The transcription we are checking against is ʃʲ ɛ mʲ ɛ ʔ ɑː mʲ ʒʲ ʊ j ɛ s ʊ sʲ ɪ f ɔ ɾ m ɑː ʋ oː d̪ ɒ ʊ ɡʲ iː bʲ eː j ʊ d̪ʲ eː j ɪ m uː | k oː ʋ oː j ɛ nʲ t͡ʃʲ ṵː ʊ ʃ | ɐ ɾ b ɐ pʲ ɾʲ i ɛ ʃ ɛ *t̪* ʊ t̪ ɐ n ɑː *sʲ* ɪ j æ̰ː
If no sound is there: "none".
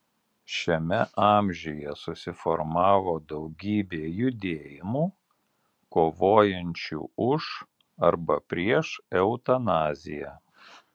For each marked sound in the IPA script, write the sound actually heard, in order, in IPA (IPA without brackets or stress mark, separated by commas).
none, zʲ